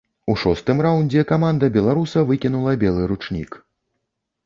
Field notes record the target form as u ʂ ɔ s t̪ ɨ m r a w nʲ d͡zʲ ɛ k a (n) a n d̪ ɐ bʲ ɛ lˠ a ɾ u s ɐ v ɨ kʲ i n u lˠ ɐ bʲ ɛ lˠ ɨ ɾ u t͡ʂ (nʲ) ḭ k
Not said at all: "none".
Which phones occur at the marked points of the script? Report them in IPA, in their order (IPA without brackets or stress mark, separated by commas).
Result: m, nʲ